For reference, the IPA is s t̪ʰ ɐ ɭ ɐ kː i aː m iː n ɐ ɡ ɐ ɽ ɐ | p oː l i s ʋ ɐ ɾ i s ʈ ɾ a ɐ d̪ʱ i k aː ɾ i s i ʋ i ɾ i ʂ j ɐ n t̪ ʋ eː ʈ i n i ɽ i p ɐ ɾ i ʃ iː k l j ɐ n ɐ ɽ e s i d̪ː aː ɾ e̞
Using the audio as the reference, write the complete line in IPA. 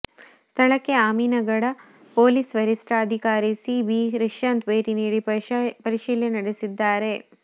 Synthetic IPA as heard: s t̪ʰ ɐ ɭ ɐ kː e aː m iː n ɐ ɡ ɐ ɽ ɐ | p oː l i s ʋ ɐ ɾ i s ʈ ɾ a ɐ d̪ʱ i k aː ɾ i s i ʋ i ɾ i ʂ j ɐ n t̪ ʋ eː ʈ i n iː ɽ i p ɐ ɾ i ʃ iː l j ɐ n ɐ ɽ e s i d̪ː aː ɾ e̞

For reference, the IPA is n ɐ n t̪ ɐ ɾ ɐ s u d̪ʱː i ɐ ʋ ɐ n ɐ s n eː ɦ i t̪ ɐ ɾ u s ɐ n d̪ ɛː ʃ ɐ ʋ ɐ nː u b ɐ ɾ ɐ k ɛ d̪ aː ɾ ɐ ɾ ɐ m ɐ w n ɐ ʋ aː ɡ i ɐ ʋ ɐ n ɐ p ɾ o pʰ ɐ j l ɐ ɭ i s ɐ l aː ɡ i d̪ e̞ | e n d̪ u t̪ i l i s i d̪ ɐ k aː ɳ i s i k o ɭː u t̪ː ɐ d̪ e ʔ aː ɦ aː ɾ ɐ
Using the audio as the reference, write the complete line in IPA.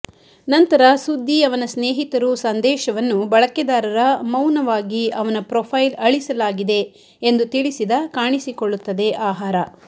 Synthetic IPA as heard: n ɐ n t̪ ɐ ɾ ɐ s u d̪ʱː i ɐ ʋ ɐ n ɐ s n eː ɦ i t̪ ɐ ɾ u s ɐ n d̪ ɛː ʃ ɐ ʋ ɐ nː u b ɐ ɭ ɐ k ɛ d̪ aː ɾ ɐ ɾ ɐ m ɐ w n ɐ ʋ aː ɡ i ɐ ʋ ɐ n ɐ p ɾ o pʰ ɐ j l ɐ ɭ i s ɐ l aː ɡ i d̪ e̞ | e n d̪ u t̪ i ɭ i s i d̪ ɐ k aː ɳ i s i k o ɭː u t̪ː ɐ d̪ e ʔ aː ɦ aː ɾ ɐ

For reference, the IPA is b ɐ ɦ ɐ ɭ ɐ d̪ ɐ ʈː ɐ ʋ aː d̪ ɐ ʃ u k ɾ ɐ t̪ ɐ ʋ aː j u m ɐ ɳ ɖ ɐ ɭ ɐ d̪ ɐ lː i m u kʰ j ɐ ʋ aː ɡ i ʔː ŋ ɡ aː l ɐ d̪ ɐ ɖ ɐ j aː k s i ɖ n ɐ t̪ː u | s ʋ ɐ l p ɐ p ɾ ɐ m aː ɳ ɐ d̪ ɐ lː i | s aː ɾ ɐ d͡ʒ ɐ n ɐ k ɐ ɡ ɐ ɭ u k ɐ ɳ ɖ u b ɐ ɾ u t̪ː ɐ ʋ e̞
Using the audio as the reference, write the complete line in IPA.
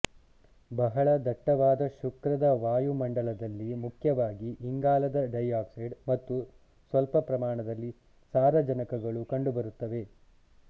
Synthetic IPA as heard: b ɐ ɦ ɐ ɭ ɐ d̪ ɐ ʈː ɐ ʋ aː d̪ ɐ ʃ u k ɾ ɐ d̪ ɐ ʋ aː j u m ɐ ɳ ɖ ɐ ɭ ɐ d̪ ɐ lː i m u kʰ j ɐ ʋ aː ɡ i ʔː ŋ ɡ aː l ɐ d̪ ɐ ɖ ɐ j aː k s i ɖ m ɐ t̪ː u | s ʋ ɐ l p ɐ p ɾ ɐ m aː ɳ ɐ d̪ ɐ lː i | s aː ɾ ɐ d͡ʒ ɐ n ɐ k ɐ ɡ ɐ ɭ u k ɐ ɳ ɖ u b ɐ ɾ u t̪ː ɐ ʋ e̞

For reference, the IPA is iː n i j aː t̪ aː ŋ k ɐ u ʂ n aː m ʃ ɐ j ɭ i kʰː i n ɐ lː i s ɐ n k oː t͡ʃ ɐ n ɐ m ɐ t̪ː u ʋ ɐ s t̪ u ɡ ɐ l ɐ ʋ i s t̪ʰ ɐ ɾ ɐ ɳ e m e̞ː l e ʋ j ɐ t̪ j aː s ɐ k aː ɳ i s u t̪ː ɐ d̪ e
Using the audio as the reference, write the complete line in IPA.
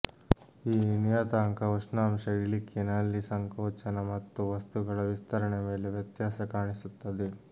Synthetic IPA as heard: iː n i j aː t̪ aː ŋ k ɐ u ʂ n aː m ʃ ɐ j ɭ i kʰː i n ɐ lː i s ɐ ŋ k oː t͡ʃ ɐ n ɐ m ɐ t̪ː u ʋ ɐ s t̪ u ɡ ɐ ɭ ɐ ʋ i s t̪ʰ ɐ ɾ ɐ ɳ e m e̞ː l e ʋ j ɐ t̪ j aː s ɐ k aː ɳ i s u t̪ː ɐ d̪ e

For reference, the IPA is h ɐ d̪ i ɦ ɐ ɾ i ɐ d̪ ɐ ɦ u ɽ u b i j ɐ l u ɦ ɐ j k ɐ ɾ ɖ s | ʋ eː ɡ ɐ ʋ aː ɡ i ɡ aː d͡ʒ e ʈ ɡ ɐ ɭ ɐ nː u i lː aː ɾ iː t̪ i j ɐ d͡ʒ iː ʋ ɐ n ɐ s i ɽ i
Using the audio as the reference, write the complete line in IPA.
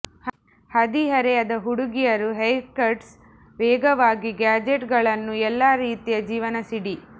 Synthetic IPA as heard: h ɐ d̪ i ɦ ɐ ɾ e ɐ d̪ ɐ ɦ u ɽ u ɡ i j ɐ ɾ u ɦ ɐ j k ɐ ɾ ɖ s | ʋ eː ɡ ɐ ʋ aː ɡ i ɡ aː d͡ʒ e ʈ ɡ ɐ ɭ ɐ nː u ɛ lː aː ɾ iː t̪ i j ɐ d͡ʒ iː ʋ ɐ n ɐ s i ɽ i

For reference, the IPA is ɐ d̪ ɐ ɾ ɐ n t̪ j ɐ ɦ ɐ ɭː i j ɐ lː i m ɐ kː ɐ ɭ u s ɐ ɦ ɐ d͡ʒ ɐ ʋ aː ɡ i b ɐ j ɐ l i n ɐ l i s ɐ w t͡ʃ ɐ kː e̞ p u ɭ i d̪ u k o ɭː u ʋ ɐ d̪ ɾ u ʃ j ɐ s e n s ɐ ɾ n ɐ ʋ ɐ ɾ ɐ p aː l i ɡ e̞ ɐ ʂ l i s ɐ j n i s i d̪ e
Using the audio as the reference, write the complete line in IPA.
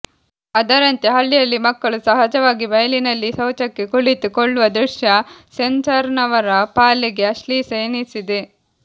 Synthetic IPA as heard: ɐ d̪ ɐ ɾ ɐ n t̪ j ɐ ɦ ɐ ɭː i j ɐ lː i m ɐ kː ɐ ɭ u s ɐ ɦ ɐ d͡ʒ ɐ ʋ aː ɡ i b ɐ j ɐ l i n ɐ lː i s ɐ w t͡ʃ ɐ kː e̞ k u ɭ i t̪ u k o ɭː u ʋ ɐ d̪ ɾ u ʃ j ɐ s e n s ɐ ɾ n ɐ ʋ ɐ ɾ ɐ p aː l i ɡ e̞ ɐ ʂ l i s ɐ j n i s i d̪ e

